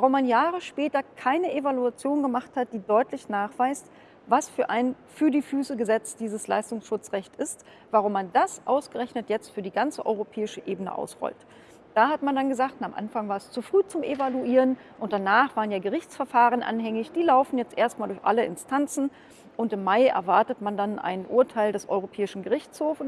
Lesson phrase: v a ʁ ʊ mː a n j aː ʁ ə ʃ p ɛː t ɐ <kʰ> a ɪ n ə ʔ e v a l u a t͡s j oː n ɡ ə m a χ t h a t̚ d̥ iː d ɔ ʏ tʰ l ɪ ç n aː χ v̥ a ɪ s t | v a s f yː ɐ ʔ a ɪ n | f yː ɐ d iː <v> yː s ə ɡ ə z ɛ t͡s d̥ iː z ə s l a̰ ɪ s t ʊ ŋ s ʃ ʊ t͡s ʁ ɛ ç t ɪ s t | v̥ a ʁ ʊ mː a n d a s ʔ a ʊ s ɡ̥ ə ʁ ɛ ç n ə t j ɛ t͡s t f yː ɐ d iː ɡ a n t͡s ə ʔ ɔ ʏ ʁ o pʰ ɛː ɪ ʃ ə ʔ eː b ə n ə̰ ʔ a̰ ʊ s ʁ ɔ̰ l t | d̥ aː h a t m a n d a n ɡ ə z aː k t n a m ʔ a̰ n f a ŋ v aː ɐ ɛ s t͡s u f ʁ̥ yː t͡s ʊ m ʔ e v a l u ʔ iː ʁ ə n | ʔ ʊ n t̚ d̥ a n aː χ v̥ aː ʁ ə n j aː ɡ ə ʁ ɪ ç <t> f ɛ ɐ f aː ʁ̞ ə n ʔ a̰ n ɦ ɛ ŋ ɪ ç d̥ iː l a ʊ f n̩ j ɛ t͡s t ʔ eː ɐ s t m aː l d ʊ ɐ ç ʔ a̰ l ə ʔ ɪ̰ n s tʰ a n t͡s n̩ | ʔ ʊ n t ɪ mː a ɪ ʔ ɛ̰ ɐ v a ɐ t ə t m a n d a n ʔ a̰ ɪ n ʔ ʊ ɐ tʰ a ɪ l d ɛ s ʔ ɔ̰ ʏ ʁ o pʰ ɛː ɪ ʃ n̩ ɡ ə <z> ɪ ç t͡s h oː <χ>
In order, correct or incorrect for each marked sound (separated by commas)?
correct, incorrect, incorrect, incorrect, incorrect